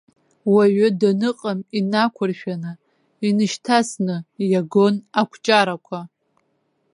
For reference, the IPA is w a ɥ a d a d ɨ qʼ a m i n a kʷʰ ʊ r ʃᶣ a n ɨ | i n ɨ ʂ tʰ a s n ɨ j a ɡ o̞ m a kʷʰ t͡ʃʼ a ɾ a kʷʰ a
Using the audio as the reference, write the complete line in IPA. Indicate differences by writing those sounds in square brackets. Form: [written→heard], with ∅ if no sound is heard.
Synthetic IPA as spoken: w a ɥ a d a [d→n] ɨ qʼ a m i n a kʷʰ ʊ r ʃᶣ a n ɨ | i n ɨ [ʂ→ʃ] tʰ a s n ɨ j a ɡ o̞ [m→n] a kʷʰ t͡ʃʼ a ɾ a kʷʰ a